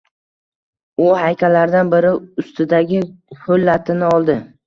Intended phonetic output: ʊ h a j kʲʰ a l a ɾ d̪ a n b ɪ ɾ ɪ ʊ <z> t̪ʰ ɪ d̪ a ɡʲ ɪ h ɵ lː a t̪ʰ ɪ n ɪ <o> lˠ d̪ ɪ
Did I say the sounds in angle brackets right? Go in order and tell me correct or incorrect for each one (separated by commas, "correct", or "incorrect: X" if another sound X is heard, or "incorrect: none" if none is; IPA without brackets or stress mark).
incorrect: s, incorrect: ɒ